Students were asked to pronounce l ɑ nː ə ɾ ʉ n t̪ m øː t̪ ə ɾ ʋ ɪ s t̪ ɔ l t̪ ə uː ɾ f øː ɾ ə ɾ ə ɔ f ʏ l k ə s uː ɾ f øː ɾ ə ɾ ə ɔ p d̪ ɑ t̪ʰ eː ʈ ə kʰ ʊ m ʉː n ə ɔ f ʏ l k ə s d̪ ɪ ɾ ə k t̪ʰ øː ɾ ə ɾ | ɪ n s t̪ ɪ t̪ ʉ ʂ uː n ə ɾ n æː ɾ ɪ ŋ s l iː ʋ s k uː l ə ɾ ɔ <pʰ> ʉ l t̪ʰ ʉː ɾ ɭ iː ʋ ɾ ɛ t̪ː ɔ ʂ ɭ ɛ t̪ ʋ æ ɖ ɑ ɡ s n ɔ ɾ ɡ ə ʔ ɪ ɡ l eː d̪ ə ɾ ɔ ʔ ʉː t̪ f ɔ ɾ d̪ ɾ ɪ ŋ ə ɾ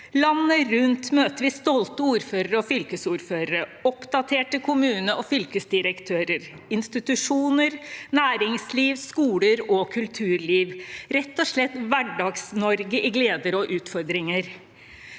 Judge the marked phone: incorrect: kʰ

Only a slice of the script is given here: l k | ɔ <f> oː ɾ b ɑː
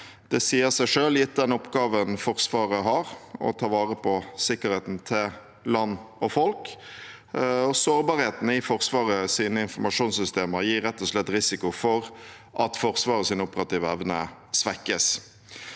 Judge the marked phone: incorrect: s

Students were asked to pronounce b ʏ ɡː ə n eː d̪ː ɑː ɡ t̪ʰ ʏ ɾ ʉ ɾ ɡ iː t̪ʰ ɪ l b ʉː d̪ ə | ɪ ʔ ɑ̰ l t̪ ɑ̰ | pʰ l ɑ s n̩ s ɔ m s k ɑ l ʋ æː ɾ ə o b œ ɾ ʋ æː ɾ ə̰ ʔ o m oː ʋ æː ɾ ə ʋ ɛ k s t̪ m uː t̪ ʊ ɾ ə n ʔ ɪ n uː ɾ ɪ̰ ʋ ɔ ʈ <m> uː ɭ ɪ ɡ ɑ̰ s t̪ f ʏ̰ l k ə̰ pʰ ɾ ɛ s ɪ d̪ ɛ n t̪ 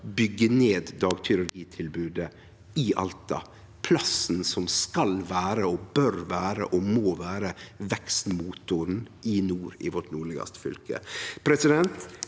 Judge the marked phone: incorrect: n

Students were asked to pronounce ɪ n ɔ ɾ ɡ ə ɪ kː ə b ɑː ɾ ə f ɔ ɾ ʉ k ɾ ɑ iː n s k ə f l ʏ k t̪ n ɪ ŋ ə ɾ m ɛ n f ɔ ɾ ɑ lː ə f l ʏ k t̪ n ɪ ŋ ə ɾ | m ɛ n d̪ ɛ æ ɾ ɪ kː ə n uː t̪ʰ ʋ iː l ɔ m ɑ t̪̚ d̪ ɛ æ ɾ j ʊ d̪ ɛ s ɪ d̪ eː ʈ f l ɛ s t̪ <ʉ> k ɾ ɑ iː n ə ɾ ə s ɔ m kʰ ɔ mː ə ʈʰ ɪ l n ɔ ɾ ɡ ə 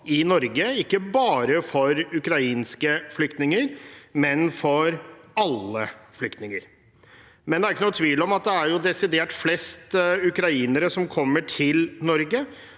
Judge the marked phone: correct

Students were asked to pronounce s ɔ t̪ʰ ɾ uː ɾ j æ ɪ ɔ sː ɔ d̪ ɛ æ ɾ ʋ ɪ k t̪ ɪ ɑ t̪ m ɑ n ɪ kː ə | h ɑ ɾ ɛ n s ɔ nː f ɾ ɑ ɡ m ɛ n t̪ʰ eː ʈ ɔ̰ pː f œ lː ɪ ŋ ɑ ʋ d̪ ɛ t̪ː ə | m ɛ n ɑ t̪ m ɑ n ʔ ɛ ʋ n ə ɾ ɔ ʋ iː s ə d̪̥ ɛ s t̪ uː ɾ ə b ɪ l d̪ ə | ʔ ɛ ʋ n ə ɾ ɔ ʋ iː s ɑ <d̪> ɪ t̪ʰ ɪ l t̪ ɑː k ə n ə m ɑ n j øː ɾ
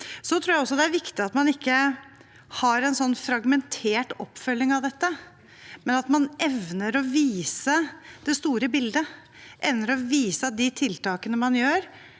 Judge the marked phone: correct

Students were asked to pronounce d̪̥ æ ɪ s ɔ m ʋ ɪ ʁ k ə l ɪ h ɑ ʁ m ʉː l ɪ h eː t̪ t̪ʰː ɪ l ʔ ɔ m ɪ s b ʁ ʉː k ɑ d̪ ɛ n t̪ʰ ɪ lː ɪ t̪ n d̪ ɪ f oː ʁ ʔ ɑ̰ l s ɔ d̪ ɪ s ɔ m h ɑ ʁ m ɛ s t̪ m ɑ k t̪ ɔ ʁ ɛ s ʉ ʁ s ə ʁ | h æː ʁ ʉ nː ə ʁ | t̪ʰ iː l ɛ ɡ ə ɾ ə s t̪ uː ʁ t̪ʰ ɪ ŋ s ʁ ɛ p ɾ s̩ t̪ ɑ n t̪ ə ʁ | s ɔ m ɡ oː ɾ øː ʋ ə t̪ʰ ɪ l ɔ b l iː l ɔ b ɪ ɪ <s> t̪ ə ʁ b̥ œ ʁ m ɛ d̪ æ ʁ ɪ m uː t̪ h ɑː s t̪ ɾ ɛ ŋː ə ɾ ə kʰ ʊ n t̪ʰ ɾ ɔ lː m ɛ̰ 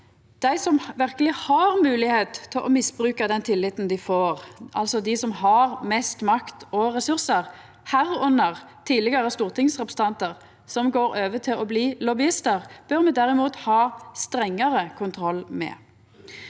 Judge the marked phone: correct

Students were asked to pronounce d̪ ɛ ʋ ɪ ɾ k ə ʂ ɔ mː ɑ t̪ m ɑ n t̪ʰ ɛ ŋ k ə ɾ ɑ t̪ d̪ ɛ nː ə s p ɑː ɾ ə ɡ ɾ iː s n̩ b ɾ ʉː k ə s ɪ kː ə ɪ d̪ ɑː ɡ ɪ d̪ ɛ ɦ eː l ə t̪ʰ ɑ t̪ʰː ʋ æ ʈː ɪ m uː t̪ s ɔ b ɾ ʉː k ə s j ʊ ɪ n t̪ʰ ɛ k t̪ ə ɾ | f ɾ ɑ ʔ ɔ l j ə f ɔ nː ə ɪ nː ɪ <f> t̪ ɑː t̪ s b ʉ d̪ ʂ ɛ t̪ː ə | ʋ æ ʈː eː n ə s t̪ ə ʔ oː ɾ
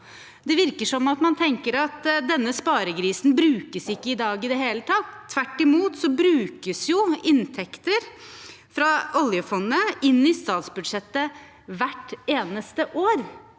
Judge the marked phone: incorrect: s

